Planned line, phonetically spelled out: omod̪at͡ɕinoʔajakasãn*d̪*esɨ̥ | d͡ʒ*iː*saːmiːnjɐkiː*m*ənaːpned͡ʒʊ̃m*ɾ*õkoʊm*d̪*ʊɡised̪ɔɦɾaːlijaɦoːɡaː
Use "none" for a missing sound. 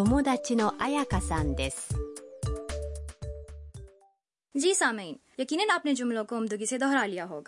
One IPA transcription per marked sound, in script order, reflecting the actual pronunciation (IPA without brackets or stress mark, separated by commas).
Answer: d̪, iː, n, l, d̪